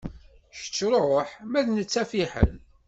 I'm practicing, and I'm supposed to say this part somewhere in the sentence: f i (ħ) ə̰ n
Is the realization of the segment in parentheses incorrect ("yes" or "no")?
no